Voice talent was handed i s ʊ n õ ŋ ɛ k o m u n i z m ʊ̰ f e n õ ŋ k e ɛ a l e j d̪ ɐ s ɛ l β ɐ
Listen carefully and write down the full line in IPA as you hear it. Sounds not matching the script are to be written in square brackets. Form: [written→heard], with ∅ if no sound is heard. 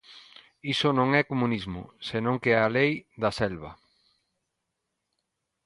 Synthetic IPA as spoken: i s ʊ n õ ŋ ɛ k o m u n i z m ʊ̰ [f→s] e n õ ŋ k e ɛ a l e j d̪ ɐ s ɛ l β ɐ